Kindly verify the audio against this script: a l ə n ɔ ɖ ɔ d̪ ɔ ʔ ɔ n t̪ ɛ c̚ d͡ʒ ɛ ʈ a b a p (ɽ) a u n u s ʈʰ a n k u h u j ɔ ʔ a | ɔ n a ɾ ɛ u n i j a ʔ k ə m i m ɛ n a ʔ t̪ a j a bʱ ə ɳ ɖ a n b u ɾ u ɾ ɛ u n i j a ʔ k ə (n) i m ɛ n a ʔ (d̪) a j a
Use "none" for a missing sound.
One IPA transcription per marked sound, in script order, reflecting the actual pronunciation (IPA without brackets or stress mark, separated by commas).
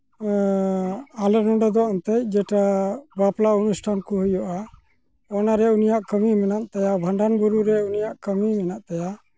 l, m, t̪